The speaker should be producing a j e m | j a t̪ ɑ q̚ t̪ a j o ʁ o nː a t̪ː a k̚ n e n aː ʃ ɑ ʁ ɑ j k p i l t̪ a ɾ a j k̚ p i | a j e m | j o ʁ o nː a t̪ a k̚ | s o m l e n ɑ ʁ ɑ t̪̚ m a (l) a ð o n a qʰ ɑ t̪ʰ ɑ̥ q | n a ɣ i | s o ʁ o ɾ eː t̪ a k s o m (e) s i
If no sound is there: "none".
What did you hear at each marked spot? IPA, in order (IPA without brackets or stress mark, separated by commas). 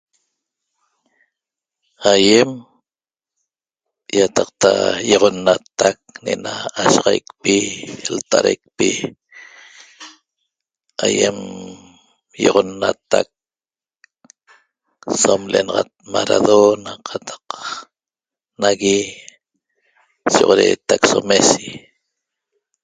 ɾ, e